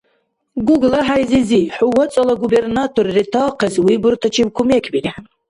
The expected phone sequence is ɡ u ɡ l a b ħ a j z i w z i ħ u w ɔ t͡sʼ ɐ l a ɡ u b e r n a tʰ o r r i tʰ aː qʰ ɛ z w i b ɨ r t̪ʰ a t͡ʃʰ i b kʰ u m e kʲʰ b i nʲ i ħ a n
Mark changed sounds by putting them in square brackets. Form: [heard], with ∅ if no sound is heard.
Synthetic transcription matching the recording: ɡ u ɡ l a [∅] ħ a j z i [∅] z i ħ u w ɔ t͡sʼ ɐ l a ɡ u b e r n a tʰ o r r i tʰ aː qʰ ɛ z w i b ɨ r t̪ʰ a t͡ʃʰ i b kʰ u m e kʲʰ b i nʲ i ħ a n